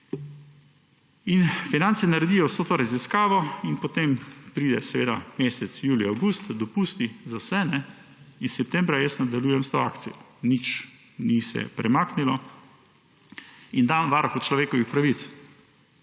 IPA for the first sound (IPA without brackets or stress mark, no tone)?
i